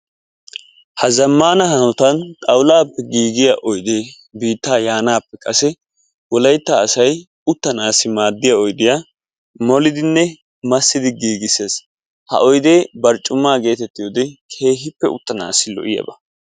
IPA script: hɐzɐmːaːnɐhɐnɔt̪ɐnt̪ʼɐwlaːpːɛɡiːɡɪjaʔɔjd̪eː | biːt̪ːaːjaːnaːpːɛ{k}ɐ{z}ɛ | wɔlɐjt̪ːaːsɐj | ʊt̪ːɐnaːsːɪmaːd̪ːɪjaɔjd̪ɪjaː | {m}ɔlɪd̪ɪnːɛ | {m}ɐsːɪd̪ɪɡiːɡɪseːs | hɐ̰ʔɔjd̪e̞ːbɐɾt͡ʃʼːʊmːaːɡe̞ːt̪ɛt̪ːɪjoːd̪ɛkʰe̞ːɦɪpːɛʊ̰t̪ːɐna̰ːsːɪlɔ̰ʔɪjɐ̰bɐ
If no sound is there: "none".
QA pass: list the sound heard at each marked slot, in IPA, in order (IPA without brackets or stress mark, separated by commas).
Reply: kʼ, s, m, m